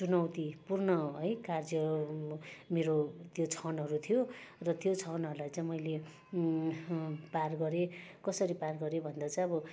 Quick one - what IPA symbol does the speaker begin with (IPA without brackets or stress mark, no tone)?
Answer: t͡s